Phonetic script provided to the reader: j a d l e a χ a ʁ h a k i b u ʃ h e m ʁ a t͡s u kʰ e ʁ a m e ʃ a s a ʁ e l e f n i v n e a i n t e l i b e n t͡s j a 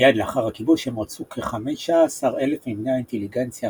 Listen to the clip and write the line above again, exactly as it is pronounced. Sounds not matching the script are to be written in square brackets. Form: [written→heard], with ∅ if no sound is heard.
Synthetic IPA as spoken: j a d l e a χ a ʁ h a k i b u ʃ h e m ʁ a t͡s u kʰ e [ʁ→χ] a m e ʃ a s a ʁ e l e f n i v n e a i n t e l i [b→ɡ] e n t͡s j a